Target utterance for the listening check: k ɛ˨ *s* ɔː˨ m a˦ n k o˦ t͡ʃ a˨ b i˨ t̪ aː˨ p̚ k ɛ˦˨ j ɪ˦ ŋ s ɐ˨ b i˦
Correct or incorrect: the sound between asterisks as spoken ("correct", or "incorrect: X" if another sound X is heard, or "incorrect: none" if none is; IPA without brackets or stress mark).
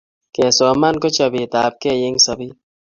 correct